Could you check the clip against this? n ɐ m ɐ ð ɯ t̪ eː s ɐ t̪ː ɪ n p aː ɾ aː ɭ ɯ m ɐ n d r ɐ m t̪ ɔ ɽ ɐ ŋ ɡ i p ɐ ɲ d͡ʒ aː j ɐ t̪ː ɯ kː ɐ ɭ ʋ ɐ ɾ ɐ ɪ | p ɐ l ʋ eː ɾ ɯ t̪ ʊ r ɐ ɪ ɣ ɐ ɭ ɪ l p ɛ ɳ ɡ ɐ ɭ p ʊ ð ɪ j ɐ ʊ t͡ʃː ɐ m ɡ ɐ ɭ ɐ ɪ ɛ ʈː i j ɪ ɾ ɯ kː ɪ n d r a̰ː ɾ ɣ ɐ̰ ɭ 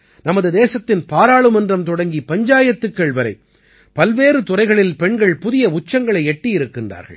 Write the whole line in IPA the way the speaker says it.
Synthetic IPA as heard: n ɐ m ɐ ð ɯ d̪ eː s ɐ t̪ː ɪ n p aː ɾ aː ɭ ɯ m ɐ n d r ɐ m t̪ ɔ ɽ ɐ ŋ ɡ i p ɐ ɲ d͡ʒ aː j ɐ t̪ː ɯ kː ɐ ɭ ʋ ɐ ɾ ɐ ɪ | p ɐ l ʋ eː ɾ ɯ t̪ ʊ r ɐ ɪ ɣ ɐ ɭ ɪ l p ɛ ɳ ɡ ɐ ɭ p ʊ ð ɪ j ɐ ʊ t͡ʃː ɐ ŋ ɡ ɐ ɭ ɐ ɪ ɛ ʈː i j ɪ ɾ ɯ kː ɪ n d r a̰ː ɾ ɣ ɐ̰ ɭ